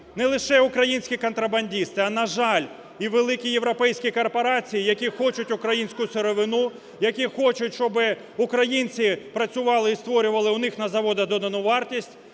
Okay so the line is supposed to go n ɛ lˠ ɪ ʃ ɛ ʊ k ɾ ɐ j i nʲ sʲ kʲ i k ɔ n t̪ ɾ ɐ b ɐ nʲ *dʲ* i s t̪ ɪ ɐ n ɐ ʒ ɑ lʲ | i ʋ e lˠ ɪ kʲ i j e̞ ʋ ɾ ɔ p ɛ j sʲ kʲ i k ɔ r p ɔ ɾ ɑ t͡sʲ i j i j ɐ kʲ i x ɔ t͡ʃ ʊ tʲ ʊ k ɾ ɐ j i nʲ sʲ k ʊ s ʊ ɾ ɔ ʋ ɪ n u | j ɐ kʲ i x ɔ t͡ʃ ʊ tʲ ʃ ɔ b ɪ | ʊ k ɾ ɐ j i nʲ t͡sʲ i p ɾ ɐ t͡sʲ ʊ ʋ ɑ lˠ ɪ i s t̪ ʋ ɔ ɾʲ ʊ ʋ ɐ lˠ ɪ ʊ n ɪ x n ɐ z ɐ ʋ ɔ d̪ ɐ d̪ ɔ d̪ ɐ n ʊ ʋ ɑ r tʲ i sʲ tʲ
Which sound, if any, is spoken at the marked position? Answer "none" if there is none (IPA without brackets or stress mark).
dʲ